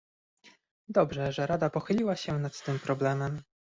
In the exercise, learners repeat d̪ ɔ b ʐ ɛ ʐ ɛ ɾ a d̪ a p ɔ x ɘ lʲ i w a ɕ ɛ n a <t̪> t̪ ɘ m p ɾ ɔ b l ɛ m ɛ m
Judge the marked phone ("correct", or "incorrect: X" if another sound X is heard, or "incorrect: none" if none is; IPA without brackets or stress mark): correct